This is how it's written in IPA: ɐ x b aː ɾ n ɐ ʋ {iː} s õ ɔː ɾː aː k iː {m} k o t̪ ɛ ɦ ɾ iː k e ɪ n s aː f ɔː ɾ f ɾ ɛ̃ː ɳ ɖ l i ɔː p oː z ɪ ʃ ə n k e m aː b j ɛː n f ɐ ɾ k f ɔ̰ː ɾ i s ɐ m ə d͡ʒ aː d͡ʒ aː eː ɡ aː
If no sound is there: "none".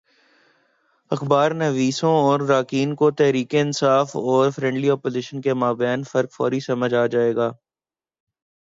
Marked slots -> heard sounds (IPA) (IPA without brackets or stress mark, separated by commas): iː, n